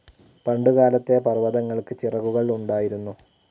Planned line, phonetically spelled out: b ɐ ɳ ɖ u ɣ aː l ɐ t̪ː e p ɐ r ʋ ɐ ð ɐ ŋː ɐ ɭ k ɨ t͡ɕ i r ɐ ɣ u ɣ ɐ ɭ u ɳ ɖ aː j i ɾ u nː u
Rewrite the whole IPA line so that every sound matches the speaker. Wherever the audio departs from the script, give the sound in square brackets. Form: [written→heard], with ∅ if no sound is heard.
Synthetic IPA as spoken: [b→p] ɐ ɳ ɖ u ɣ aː l ɐ t̪ː e p ɐ r ʋ ɐ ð ɐ ŋː ɐ ɭ k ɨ t͡ɕ i r ɐ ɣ u ɣ ɐ ɭ u ɳ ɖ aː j i ɾ u nː u